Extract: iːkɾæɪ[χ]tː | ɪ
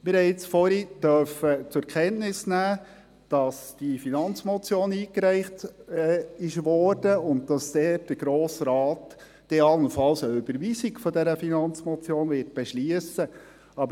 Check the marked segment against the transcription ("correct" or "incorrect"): correct